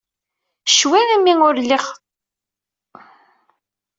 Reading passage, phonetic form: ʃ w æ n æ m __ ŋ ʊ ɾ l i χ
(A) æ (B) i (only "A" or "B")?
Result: B